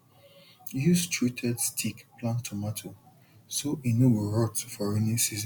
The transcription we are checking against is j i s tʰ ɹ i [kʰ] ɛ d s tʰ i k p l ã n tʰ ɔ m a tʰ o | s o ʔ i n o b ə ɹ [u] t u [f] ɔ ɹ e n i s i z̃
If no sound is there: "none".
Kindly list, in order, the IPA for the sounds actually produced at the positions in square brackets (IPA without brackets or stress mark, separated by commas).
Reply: tʰ, ɔ, f